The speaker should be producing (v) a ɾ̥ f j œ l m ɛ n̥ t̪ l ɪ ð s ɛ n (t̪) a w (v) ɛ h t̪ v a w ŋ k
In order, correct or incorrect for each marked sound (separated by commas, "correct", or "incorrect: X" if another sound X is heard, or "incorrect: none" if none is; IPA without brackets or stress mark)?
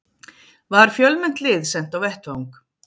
correct, correct, correct